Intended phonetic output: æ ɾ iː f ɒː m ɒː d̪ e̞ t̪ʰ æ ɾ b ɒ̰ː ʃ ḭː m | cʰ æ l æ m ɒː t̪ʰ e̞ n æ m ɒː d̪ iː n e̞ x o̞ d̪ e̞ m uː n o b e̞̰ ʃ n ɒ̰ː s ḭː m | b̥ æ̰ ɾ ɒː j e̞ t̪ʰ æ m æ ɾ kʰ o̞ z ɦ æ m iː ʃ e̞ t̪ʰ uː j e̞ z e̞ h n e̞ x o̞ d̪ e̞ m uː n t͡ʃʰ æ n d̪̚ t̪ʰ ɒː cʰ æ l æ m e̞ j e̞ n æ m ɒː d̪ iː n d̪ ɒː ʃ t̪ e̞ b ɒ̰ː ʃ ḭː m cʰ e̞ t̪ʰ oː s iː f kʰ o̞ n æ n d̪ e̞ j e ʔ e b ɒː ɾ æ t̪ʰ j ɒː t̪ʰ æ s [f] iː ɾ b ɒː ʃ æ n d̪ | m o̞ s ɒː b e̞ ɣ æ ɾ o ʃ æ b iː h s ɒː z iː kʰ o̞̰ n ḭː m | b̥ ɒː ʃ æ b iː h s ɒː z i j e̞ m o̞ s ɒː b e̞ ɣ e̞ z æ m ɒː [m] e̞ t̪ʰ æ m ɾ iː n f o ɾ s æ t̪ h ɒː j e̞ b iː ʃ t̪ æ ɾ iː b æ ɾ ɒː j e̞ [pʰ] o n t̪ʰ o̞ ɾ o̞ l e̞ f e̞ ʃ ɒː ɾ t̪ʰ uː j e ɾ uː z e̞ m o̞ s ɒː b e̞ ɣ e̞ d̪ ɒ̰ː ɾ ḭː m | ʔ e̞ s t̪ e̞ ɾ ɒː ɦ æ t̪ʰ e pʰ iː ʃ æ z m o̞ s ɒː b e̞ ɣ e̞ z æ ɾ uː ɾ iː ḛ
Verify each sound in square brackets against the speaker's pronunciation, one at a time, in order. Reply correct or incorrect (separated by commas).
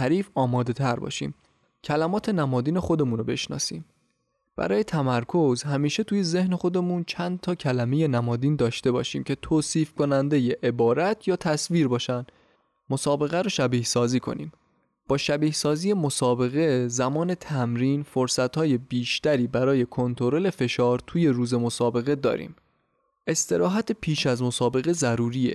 incorrect, incorrect, incorrect